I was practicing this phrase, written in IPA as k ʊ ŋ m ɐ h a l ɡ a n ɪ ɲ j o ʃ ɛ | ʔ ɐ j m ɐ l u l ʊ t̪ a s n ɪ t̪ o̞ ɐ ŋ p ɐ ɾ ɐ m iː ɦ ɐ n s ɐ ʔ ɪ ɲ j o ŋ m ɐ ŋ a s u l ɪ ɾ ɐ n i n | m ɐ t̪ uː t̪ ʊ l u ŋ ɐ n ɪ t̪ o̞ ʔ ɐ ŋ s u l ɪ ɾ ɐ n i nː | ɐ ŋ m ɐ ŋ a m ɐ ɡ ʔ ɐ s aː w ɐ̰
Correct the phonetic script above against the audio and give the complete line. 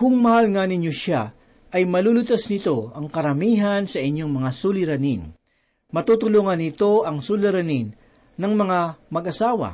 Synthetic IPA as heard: k ʊ ŋ m ɐ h a l ŋ a n ɪ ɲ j o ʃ a | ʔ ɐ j m ɐ l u l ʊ t̪ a s n ɪ t̪ o̞ ɐ ŋ k ɐ ɾ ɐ m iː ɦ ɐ n s ɐ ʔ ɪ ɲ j o ŋ m ɐ ŋ a s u l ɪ ɾ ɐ n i n | m ɐ t̪ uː t̪ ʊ l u ŋ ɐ n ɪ t̪ o̞ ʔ ɐ ŋ s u l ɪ ɾ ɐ n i nː | ɐ ŋ m ɐ ŋ a m ɐ ɡ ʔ ɐ s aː w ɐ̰